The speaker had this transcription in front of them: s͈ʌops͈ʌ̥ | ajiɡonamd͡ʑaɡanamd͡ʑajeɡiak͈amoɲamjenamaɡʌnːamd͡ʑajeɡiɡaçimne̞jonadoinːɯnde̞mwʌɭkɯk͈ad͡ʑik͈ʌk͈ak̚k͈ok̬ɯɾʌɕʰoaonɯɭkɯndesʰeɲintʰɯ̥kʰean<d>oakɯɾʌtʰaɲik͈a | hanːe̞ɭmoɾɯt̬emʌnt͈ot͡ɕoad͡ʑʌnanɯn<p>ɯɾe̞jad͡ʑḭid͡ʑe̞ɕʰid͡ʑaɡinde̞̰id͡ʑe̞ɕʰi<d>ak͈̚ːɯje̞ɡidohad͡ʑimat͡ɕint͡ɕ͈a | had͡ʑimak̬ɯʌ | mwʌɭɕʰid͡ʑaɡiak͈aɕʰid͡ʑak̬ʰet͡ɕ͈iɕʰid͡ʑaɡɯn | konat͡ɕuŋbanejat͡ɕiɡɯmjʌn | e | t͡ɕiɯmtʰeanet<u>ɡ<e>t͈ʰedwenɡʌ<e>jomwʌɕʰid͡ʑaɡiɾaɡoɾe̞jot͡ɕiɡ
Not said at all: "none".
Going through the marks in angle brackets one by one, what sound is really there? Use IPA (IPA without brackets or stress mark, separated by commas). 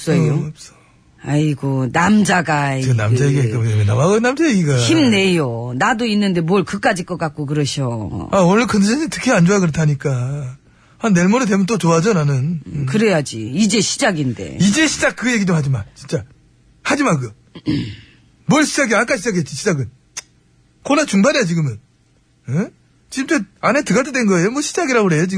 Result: d͡ʑ, k, d͡ʑ, ɯ, a, e